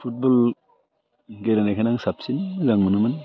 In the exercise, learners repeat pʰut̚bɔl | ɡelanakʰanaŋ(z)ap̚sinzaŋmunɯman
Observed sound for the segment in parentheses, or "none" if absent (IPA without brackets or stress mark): s